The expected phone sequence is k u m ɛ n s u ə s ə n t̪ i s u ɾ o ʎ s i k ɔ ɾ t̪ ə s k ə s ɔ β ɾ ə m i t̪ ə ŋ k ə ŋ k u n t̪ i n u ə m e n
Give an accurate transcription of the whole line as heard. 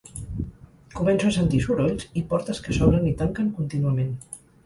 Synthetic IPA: k u m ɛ n s u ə s ə n t̪ i s u ɾ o ʎ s i p ɔ ɾ t̪ ə s k ə s ɔ β ɾ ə n i t̪ a ŋ k ə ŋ k u n t̪ i n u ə m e n